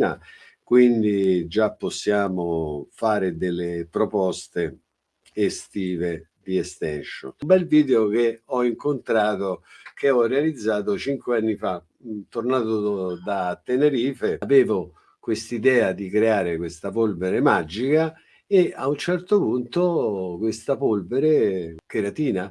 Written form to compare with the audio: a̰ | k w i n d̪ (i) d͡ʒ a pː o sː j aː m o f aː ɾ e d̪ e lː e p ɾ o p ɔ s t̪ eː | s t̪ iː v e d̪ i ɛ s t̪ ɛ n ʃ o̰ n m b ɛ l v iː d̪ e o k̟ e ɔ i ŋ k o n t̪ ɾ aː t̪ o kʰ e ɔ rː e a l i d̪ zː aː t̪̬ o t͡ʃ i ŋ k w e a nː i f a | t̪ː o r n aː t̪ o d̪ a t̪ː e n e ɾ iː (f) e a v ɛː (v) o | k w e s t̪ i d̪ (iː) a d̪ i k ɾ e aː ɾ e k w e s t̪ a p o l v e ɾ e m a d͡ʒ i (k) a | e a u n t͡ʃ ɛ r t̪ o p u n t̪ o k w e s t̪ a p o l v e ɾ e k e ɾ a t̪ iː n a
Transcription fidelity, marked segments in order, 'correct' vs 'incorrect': correct, correct, correct, incorrect: ɛː, correct

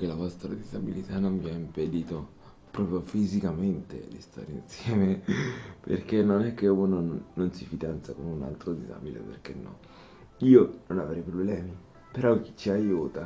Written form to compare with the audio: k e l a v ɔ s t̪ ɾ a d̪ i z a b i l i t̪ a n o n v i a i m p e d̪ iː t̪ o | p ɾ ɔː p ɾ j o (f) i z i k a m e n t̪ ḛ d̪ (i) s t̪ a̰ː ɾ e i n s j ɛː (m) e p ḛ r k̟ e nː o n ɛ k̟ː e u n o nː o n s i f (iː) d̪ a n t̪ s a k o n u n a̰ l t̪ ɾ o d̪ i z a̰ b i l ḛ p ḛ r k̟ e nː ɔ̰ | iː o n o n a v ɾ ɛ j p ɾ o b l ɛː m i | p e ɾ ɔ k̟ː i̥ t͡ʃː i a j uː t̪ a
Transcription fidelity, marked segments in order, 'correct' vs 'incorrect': correct, correct, correct, incorrect: i

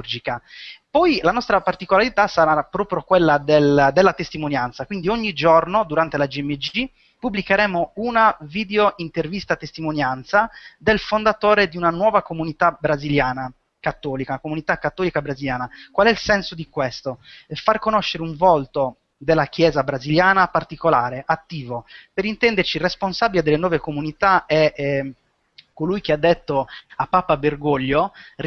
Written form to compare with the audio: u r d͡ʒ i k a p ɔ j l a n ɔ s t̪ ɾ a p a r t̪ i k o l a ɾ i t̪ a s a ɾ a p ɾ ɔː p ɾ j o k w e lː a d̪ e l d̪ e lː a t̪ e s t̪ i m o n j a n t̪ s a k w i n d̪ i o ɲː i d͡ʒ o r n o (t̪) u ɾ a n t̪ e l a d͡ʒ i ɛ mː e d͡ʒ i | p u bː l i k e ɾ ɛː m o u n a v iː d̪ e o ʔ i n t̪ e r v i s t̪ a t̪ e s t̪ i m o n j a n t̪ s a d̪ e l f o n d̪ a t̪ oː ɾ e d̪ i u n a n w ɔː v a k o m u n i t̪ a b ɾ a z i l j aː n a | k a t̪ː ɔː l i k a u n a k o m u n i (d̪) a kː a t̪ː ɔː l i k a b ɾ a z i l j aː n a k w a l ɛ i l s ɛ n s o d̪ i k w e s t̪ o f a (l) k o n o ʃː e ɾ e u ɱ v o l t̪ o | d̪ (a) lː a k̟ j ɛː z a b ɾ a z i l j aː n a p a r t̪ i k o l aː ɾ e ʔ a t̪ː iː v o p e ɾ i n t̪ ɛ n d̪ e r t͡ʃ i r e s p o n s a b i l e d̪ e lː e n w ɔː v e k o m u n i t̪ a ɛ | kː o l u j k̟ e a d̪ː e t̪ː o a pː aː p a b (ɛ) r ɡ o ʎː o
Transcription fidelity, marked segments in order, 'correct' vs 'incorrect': incorrect: d̪, incorrect: t̪, incorrect: r, incorrect: e, incorrect: e

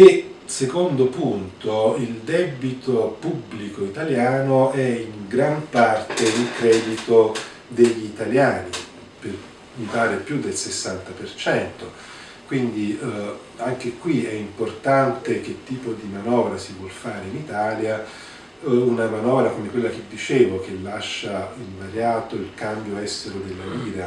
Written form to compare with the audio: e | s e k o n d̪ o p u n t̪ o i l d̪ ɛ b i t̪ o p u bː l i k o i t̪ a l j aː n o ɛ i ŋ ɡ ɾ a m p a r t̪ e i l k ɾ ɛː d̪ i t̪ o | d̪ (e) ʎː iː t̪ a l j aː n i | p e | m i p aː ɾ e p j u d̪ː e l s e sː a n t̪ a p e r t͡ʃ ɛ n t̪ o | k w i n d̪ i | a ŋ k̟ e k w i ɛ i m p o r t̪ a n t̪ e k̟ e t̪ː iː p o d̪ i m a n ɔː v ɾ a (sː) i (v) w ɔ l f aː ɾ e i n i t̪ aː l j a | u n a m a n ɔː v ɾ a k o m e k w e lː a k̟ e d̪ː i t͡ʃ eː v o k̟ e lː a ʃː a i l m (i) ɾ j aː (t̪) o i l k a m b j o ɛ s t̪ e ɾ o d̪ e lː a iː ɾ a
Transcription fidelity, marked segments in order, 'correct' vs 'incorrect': correct, incorrect: s, correct, incorrect: a, correct

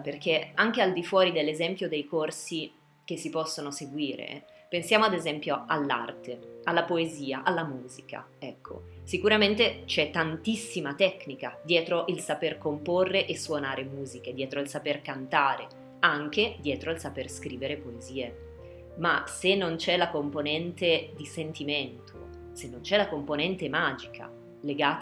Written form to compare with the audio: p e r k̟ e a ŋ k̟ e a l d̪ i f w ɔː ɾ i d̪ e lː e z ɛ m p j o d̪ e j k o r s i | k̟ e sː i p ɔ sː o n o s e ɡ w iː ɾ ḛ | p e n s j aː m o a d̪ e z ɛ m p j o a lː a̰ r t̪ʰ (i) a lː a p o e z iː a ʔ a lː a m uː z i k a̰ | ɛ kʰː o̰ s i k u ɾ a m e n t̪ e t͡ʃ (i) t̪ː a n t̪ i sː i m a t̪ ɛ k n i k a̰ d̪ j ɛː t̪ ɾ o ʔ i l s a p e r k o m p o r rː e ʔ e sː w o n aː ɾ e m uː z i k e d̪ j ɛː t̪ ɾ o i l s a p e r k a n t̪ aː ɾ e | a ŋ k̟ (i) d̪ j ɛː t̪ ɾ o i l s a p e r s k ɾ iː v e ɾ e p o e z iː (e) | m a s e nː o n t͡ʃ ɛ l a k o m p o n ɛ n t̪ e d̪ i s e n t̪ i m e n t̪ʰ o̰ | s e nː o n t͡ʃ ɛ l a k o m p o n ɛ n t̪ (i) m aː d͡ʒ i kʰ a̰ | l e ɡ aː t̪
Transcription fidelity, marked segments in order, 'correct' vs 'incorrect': incorrect: e, incorrect: ɛ, incorrect: e, correct, incorrect: e

